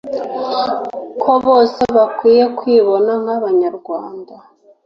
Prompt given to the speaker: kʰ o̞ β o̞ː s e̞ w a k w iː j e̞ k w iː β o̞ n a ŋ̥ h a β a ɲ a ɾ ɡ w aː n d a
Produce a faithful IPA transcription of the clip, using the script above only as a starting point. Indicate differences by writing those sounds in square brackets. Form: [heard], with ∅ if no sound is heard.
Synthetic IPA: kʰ o̞ β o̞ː s e̞ [β] a k w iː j e̞ k w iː β o̞ n a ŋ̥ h a β a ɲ a ɾ ɡ w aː n d a